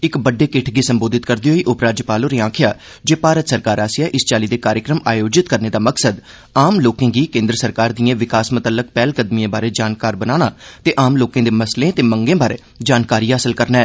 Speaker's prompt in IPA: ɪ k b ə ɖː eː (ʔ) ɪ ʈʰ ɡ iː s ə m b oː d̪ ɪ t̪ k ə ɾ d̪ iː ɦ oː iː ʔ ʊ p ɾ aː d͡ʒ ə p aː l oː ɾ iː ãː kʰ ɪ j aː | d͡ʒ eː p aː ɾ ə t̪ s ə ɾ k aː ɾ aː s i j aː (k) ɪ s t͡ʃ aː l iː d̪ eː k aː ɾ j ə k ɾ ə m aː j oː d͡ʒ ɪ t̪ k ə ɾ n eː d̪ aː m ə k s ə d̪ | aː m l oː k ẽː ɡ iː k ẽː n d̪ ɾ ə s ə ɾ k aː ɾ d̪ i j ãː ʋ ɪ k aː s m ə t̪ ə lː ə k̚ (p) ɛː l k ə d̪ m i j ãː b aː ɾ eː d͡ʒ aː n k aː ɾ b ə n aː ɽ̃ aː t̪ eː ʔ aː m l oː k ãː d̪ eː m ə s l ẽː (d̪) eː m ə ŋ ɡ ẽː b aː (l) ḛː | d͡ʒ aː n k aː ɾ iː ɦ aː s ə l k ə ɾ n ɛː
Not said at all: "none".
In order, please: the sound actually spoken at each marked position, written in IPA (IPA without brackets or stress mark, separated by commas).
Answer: k, ʔ, p, t̪, ɾ